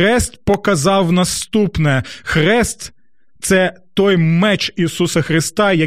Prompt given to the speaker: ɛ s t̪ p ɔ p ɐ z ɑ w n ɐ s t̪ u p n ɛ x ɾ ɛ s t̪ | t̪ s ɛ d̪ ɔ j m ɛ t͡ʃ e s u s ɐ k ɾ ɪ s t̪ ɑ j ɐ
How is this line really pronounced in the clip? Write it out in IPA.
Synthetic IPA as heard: ɛ s t̪ p ɔ k ɐ z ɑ w n ɐ s t̪ u p n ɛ x ɾ ɛ s t̪ | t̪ s ɛ t̪ ɔ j m ɛ t͡ʃ i s u s ɐ x ɾ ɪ s t̪ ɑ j ɐ